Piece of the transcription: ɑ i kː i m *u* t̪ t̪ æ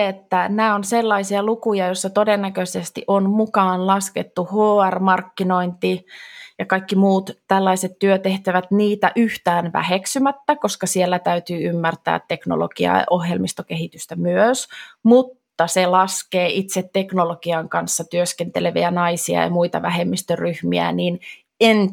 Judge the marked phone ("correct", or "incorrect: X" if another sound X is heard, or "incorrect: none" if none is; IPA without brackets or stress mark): incorrect: uː